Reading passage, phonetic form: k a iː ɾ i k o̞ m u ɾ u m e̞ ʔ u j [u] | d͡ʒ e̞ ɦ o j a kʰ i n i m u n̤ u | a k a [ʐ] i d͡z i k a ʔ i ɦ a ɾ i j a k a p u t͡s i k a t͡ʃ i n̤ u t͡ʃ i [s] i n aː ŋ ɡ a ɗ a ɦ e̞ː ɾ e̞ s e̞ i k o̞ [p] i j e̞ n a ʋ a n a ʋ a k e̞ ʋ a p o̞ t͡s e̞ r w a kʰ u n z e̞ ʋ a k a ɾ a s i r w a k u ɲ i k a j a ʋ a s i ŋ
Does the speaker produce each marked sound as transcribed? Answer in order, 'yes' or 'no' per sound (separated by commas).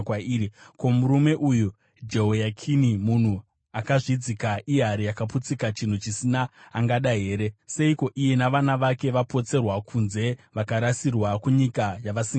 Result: yes, yes, yes, no